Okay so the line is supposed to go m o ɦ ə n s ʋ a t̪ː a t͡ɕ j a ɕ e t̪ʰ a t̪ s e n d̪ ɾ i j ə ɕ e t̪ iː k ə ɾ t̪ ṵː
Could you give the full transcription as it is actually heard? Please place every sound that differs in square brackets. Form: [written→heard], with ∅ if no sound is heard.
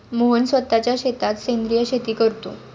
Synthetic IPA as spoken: m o ɦ ə n s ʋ [a→ə] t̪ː a t͡ɕ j a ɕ e [t̪ʰ→t̪] a t̪ s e n d̪ ɾ i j ə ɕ e t̪ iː k ə ɾ t̪ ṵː